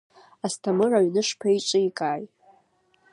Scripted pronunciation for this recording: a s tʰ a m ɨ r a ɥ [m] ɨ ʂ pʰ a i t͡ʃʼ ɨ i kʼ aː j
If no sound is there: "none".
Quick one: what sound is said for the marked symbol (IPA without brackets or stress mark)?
n